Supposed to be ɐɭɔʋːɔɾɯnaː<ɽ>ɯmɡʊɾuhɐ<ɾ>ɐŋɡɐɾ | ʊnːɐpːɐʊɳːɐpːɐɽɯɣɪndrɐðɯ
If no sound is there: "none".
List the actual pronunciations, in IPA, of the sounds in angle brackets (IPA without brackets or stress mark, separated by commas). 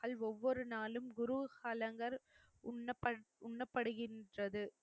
l, l